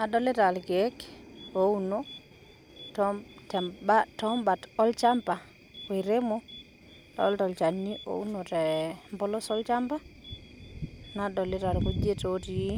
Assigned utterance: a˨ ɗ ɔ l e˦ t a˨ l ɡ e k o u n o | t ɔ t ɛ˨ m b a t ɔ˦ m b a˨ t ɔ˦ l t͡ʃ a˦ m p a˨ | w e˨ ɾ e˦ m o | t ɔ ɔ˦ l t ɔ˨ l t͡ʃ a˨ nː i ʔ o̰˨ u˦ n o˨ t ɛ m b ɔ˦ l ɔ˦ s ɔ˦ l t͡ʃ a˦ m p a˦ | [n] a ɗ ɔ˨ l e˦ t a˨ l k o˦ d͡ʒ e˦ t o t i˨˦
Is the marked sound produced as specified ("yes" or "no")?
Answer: yes